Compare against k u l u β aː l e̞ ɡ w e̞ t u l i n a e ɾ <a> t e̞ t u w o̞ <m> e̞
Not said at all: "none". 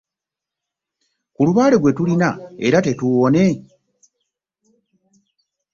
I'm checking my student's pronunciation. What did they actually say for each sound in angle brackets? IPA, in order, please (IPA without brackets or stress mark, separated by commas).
a, n